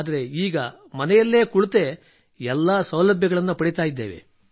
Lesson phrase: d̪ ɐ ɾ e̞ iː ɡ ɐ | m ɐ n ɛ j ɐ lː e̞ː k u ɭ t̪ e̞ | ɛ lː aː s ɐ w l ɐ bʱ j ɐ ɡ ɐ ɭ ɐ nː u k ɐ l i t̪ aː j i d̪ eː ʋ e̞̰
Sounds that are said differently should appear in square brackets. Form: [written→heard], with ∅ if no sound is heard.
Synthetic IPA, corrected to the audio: d̪ ɐ ɾ e̞ iː ɡ ɐ | m ɐ n ɛ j ɐ lː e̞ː k u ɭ t̪ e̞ | ɛ lː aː s ɐ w l ɐ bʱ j ɐ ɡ ɐ ɭ ɐ nː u [k→p] ɐ [l→ɽ] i t̪ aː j i [d̪→d̪ː] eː ʋ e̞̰